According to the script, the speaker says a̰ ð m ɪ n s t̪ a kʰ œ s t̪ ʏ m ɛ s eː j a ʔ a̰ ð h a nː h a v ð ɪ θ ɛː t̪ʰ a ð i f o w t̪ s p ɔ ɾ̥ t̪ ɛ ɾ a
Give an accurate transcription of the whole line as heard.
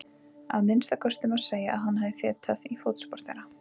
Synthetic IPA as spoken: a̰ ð m ɪ n s t̪ a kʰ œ s t̪ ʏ m a s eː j a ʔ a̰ ð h a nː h a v ð ɪ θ ɛː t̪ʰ a ð i f o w t̪ s p ɔ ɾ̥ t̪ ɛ ɾ a